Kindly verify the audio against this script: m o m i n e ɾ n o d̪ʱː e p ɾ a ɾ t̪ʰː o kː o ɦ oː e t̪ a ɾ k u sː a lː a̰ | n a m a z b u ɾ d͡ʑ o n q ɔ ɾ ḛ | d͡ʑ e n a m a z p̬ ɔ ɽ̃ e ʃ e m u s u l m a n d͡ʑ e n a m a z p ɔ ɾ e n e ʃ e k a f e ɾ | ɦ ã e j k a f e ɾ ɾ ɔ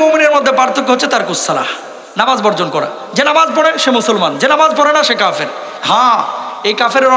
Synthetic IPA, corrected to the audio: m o m i n e ɾ m o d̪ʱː e p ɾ a ɾ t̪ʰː o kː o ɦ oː e t̪ a ɾ k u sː a l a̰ | n a m a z b ɔ ɾ d͡ʑ o n k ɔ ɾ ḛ | d͡ʑ e n a m a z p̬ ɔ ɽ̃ e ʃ e m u s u l m a n d͡ʑ e n a m a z p ɔ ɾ e n a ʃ e k a f e ɾ | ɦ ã e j k a f e ɾ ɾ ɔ